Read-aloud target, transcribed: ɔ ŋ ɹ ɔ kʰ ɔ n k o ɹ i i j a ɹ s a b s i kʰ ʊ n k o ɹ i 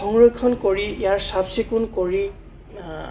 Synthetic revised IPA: ɔ ŋ ɹ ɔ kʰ ɔ n k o ɹ i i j a ɹ s a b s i k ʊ n k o ɹ i